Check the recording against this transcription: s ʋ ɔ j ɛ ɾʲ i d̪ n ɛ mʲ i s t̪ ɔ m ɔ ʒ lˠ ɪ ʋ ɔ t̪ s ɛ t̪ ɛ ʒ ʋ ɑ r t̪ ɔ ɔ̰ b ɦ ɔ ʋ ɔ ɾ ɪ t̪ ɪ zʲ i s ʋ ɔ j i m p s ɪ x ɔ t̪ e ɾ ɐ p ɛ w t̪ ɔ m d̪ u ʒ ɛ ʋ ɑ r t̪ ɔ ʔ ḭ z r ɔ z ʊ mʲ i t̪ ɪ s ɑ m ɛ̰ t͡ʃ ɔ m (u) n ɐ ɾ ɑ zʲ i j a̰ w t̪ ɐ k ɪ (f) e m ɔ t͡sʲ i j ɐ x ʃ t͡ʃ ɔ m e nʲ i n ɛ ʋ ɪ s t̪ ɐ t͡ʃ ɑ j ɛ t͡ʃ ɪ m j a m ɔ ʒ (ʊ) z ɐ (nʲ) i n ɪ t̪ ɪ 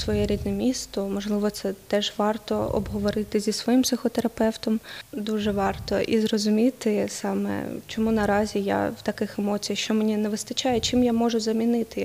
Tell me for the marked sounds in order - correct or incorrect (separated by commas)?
correct, incorrect, correct, incorrect